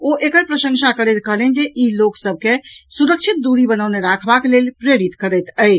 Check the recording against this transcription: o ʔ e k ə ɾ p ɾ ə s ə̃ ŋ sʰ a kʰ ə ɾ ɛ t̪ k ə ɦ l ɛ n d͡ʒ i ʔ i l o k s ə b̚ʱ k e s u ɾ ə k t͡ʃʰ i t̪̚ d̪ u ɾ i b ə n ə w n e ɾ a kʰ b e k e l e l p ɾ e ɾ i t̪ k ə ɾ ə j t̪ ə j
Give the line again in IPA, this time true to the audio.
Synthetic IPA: o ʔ e k ə ɾ p ɾ ə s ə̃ ŋ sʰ a k ə ɾ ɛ t̪ k ə ɦ l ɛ n d͡ʒ e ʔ i l o k s ə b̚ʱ k e s u ɾ ə k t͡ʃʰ i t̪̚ d̪ u ɾ i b ə n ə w n e ɾ a kʰ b a k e l e l p ɾ e ɾ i t̪ k ə ɾ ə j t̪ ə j